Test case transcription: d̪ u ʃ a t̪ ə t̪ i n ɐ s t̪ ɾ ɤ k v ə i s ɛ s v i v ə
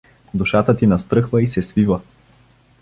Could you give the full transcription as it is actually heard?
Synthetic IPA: d̪ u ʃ a t̪ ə t̪ i n ɐ s t̪ ɾ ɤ x v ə i s ɛ s v i v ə